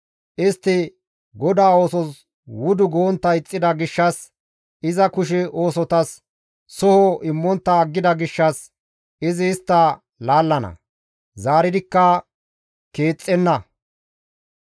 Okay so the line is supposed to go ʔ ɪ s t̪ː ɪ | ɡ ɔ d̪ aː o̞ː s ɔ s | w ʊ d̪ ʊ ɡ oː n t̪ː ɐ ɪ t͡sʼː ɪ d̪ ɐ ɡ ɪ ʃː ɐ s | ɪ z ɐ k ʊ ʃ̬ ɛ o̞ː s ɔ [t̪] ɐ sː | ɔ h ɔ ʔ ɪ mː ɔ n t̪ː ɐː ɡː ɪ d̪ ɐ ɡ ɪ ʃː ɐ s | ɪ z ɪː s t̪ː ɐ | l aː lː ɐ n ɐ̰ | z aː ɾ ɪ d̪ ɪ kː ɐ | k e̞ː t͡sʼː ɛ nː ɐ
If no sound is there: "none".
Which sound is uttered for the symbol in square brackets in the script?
t̪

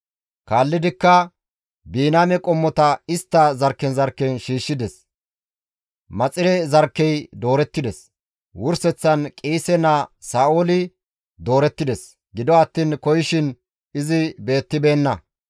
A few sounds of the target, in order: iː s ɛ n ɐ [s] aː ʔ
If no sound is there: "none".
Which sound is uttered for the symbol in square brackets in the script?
s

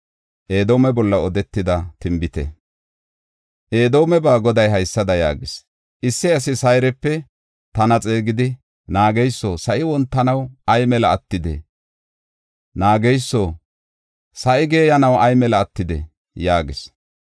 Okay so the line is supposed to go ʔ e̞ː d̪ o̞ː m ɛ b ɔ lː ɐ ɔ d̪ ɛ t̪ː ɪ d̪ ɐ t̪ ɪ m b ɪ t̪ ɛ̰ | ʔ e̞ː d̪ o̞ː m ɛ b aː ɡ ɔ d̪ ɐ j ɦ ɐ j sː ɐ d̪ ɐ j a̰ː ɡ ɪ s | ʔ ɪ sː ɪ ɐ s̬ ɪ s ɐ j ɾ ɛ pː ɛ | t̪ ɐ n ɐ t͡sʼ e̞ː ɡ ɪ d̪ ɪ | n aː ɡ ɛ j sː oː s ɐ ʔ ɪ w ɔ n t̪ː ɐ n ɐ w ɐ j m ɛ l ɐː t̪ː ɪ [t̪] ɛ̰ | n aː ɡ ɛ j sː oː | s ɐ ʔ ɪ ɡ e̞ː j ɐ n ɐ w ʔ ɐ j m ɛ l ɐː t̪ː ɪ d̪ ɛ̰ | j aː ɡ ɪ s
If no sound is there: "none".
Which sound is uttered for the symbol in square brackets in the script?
d̪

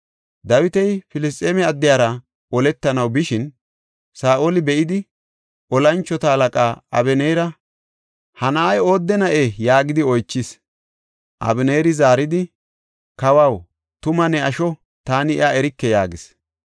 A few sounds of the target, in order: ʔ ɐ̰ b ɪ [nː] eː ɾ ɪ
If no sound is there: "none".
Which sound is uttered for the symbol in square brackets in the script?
n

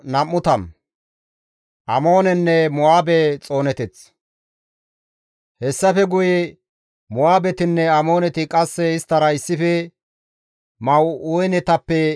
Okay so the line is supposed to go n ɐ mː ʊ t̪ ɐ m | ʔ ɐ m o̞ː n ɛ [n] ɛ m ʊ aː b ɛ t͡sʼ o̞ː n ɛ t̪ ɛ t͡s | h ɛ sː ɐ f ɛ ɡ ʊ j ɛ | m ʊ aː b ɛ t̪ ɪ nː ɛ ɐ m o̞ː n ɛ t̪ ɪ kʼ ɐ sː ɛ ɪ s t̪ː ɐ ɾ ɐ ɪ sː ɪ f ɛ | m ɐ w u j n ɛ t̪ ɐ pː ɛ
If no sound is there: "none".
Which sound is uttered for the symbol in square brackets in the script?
nː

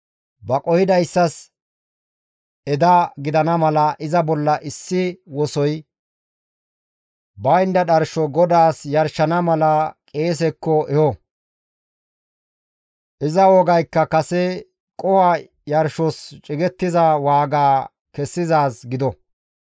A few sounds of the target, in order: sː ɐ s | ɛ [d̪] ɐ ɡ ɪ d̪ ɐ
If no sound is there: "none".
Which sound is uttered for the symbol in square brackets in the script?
d̪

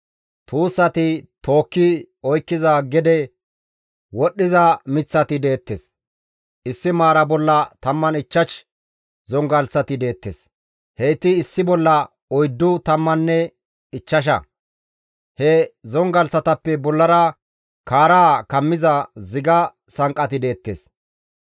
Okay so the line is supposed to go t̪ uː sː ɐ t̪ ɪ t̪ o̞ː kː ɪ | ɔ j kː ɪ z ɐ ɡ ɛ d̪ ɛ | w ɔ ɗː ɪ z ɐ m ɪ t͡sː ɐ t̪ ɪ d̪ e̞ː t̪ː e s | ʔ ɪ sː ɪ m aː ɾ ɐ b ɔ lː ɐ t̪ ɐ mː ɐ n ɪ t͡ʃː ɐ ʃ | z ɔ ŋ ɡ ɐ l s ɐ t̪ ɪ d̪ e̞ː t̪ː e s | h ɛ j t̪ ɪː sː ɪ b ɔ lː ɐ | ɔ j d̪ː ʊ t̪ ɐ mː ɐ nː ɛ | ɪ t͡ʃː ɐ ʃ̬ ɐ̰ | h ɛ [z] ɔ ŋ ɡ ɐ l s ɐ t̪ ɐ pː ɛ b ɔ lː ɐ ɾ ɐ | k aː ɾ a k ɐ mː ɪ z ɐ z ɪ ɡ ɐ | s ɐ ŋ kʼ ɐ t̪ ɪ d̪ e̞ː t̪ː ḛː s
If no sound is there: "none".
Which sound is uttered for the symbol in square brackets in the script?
z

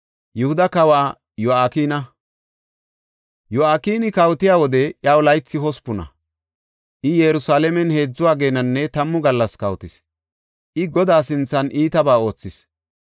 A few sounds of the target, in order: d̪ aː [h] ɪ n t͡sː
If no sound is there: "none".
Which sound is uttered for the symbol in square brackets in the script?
s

